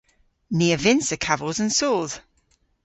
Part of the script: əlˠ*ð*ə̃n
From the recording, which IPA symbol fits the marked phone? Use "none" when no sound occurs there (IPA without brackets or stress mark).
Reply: z